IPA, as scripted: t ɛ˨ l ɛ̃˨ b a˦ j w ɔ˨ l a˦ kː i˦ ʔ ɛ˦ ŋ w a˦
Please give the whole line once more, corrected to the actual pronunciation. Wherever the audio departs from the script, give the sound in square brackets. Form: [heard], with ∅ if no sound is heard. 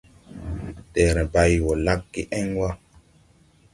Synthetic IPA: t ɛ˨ [ɾ] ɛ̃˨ b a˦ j w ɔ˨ l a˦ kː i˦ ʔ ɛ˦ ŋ w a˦